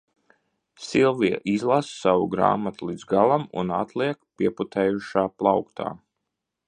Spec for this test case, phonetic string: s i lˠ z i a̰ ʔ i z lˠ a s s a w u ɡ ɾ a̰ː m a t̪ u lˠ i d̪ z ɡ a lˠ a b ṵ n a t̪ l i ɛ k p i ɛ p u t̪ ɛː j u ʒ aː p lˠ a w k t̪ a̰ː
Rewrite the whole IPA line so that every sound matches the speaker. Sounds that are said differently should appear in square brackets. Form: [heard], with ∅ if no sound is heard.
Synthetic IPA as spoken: s i lˠ [v] i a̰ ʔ i z lˠ a s s a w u ɡ ɾ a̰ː m a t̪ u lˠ i d̪ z ɡ a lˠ a [m] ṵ n a t̪ l i ɛ k p i ɛ p u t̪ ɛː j u [ʃ] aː p lˠ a w k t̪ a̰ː